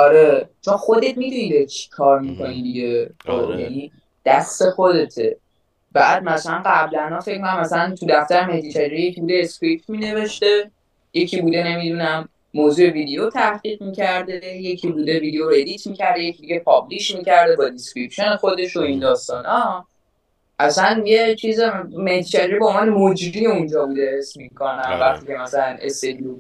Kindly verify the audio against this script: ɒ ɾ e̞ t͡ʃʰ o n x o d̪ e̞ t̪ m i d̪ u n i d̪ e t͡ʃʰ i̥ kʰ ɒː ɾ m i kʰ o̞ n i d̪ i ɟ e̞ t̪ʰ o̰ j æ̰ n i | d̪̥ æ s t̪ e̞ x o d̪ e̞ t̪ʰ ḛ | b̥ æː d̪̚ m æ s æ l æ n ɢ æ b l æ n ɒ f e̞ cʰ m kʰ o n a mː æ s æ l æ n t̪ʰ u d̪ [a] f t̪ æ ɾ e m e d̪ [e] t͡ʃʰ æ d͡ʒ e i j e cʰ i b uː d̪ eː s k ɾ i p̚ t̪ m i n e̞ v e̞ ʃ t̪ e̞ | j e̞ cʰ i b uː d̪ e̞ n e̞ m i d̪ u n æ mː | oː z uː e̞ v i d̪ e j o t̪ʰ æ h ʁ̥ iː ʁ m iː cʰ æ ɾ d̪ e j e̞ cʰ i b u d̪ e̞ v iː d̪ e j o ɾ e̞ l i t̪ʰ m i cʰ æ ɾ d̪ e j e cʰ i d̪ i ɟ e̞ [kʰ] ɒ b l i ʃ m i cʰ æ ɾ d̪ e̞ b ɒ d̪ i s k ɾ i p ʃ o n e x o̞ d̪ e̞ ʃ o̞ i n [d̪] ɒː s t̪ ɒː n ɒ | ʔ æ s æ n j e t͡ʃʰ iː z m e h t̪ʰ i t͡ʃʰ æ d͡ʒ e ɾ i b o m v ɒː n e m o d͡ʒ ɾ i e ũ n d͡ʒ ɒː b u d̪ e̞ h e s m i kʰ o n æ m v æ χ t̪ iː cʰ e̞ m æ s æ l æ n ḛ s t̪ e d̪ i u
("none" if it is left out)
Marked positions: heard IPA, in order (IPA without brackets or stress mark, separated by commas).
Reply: æ, i, pʰ, d̪